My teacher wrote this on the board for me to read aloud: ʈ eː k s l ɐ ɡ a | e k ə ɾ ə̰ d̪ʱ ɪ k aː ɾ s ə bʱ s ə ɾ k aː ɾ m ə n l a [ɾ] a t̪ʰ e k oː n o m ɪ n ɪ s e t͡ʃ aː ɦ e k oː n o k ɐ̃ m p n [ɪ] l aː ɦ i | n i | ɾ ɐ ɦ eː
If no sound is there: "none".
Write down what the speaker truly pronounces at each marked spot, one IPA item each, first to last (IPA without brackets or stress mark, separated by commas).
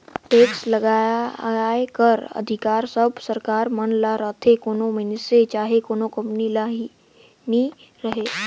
ɾ, i